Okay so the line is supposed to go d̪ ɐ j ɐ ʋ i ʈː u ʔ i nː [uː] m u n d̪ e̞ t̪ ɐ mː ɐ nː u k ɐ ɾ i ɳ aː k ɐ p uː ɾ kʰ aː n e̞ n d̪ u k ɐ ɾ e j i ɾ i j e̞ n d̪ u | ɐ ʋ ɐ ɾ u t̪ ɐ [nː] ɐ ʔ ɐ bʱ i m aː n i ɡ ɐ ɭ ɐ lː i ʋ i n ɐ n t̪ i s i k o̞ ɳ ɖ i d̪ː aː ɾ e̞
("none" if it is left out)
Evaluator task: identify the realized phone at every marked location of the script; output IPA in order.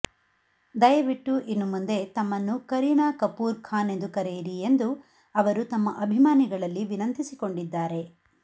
u, mː

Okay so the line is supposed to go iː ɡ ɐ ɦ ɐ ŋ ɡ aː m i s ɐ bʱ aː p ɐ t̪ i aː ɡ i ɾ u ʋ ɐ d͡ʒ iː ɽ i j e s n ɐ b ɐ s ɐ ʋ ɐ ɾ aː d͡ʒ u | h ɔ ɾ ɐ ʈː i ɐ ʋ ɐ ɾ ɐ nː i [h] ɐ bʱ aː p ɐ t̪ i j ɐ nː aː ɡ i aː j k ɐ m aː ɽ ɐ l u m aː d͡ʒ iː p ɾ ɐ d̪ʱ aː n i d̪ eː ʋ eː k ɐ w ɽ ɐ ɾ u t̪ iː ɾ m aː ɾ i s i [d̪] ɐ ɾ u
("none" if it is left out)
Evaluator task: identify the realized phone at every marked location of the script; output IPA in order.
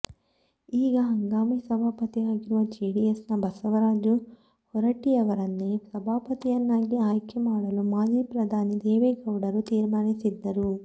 s, d̪ː

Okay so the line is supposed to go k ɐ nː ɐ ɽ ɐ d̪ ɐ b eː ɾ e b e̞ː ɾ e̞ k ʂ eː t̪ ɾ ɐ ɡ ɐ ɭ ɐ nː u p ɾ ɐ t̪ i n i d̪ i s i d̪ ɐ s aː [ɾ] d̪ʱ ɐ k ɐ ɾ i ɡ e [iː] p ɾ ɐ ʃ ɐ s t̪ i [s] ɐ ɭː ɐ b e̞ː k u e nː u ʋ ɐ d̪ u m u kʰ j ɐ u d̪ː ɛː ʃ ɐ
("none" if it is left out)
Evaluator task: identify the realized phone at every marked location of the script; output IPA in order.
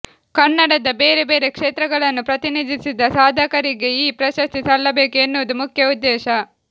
none, iː, s

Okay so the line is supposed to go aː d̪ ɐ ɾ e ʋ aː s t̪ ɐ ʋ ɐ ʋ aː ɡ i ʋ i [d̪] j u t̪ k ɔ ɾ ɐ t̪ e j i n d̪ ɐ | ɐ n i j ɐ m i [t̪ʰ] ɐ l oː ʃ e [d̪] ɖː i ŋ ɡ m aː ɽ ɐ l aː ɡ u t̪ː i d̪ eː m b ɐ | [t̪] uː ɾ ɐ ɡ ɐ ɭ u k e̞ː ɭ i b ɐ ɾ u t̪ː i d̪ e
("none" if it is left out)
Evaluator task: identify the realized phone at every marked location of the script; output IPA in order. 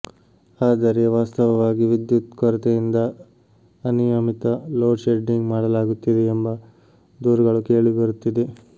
d̪, t̪, none, d̪

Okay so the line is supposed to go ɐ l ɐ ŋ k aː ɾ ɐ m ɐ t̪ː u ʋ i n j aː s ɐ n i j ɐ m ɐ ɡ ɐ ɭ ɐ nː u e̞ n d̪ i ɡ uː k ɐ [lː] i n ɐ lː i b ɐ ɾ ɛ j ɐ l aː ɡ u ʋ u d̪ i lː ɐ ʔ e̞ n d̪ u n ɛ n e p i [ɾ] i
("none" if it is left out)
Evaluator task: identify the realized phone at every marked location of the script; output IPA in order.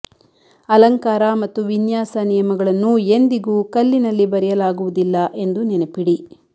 lː, ɽ

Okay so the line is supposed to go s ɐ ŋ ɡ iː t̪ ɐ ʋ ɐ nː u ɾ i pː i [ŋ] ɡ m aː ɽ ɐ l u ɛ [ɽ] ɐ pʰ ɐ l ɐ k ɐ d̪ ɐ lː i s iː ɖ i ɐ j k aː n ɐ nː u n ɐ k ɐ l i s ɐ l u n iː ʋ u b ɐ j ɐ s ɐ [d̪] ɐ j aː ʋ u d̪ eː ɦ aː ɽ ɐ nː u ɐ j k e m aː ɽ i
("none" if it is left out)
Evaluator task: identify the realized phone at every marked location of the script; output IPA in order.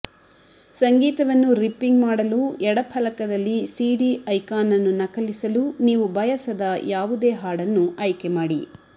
ŋ, ɽ, d̪

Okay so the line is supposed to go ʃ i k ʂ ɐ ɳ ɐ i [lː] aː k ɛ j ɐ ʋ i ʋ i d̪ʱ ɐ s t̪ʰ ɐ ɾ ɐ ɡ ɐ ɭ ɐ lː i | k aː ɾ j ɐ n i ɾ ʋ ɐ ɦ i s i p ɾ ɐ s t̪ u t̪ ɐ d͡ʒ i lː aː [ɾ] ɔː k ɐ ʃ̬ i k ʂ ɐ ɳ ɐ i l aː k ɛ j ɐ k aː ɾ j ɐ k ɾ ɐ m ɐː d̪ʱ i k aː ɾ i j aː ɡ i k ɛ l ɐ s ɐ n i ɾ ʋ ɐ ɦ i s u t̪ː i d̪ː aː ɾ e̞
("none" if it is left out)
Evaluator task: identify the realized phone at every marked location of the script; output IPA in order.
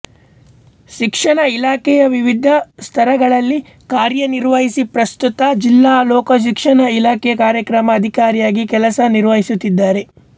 l, l

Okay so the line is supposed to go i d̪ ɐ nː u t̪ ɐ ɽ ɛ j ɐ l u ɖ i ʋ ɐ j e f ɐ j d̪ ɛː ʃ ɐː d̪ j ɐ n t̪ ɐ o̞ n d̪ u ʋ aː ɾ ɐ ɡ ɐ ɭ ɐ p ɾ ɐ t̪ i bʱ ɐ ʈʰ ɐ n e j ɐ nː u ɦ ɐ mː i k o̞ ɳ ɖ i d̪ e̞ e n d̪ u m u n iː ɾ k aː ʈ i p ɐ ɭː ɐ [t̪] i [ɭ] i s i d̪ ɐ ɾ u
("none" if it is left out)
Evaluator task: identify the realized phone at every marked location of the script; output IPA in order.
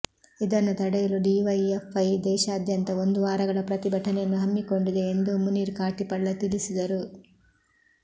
t̪, l

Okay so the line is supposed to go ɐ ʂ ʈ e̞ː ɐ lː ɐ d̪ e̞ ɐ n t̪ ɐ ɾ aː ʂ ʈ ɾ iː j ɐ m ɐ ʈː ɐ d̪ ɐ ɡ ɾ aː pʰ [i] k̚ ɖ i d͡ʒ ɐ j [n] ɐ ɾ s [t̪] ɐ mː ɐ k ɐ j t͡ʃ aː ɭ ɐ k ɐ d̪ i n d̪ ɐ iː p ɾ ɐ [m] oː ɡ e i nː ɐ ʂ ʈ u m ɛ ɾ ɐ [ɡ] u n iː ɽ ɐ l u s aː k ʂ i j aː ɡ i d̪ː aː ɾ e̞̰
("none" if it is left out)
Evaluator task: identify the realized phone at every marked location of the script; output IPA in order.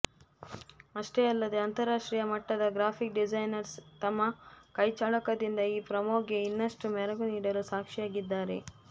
i, n, t̪, m, ɡ

